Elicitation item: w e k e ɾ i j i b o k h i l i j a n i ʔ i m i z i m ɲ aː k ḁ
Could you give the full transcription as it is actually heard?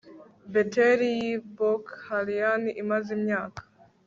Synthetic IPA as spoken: b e t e ɾ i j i b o k h a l i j a n i ʔ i m a z i m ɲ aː k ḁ